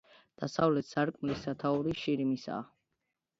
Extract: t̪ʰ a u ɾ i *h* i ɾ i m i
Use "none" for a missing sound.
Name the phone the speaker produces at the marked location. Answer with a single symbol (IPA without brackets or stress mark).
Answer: ʃ